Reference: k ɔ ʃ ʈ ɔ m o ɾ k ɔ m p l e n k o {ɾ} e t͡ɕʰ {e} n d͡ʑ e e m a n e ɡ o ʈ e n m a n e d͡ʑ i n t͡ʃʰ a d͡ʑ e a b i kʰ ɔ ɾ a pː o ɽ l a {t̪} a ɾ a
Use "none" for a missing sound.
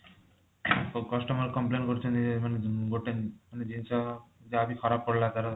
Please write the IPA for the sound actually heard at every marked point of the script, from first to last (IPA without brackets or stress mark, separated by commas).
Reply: ɾ, e, t̪